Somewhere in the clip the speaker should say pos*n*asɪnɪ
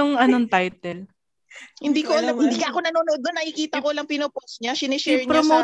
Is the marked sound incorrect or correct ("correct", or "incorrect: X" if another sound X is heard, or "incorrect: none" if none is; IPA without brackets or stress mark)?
incorrect: ɲ